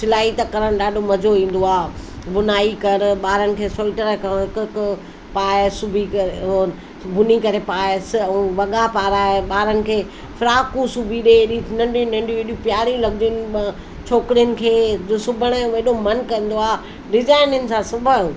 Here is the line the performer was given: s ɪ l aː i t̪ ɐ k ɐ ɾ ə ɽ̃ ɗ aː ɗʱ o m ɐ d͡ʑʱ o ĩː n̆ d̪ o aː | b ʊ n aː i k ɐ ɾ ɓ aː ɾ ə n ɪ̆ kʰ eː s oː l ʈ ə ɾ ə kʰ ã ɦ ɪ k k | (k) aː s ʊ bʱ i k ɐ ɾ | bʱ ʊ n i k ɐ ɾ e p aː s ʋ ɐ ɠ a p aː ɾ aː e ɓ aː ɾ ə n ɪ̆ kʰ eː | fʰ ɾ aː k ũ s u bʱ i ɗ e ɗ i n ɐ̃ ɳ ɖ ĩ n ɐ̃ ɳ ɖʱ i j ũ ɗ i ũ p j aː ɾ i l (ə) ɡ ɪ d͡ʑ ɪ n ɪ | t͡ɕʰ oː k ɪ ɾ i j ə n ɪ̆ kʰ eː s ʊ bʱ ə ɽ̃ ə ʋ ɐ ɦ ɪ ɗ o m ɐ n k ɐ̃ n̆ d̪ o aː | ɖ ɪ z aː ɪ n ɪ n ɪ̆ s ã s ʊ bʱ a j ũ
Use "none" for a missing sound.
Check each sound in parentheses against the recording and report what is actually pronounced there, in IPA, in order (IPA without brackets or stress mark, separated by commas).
p, ɐ